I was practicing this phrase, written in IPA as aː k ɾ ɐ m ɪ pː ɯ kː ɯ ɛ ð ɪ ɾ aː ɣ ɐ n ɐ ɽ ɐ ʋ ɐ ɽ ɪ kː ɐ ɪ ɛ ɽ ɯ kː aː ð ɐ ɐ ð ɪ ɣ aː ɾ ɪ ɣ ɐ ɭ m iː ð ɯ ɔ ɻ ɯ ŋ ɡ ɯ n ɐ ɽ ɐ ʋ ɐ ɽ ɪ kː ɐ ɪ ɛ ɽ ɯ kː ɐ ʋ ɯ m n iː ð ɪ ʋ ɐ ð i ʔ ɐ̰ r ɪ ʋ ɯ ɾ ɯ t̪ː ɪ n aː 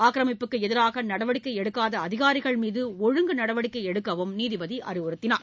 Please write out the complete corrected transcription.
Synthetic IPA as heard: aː k ɾ ɐ m ɪ pː ɯ kː ɯ ɛ ð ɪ ɾ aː ɣ ɐ n ɐ ɽ ɐ ʋ ɐ ɽ ɪ kː ɐ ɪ ɛ ɽ ɯ kː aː ð ɐ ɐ ð ɪ ɣ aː ɾ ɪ ɣ ɐ ɭ m iː ð ɯ ɔ ɻ ɯ ŋ ɡ ɯ n ɐ ɽ ɐ ʋ ɐ ɽ ɪ kː ɐ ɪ ɛ ɽ ɯ kː ɐ ʋ ɯ m n iː ð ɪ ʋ ɐ ð i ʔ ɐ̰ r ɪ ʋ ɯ ɾ ɯ t̪ː ɪ n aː